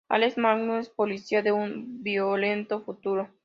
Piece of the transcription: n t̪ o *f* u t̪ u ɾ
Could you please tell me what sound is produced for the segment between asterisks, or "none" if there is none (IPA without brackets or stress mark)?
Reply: f